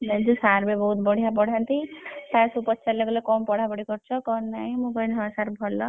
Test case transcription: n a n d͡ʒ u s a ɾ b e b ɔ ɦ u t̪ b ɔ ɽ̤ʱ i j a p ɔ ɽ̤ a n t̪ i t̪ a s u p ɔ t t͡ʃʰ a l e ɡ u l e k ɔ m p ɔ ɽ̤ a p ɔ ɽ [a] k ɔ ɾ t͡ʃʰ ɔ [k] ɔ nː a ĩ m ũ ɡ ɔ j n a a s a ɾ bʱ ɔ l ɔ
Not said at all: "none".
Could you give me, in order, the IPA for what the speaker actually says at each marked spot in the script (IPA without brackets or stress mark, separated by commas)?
i, k